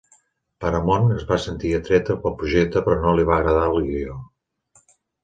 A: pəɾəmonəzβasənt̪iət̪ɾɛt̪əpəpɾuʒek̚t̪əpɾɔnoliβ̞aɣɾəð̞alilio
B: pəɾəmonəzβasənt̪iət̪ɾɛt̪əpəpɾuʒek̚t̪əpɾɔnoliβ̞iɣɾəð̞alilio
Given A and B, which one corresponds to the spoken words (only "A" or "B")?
A